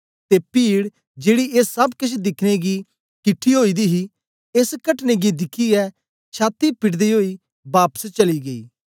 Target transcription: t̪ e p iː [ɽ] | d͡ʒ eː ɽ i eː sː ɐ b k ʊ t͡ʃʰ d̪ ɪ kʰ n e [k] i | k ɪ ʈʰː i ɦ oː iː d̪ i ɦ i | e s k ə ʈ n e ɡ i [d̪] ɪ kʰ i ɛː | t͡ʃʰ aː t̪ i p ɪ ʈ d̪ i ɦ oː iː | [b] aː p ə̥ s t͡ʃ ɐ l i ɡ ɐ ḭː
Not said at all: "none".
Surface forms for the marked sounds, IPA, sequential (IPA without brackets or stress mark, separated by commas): ɽ, ɡ, d̪, b